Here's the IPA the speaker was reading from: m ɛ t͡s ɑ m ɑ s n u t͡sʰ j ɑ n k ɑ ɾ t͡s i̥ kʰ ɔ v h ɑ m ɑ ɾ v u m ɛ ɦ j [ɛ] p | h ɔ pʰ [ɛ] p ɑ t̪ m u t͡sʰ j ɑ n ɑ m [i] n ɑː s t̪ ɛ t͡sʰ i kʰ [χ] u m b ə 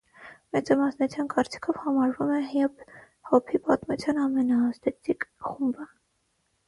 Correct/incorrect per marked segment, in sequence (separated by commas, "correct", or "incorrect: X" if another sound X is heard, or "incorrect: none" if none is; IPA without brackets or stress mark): correct, incorrect: i, incorrect: ɛ, correct